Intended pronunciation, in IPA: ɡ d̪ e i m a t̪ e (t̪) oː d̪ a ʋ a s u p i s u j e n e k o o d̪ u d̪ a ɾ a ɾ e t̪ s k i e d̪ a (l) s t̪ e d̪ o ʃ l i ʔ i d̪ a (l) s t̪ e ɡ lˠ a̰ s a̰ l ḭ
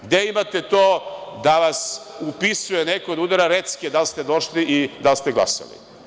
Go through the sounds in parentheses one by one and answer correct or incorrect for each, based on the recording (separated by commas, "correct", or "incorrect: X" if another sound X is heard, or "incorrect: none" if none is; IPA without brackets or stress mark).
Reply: correct, correct, correct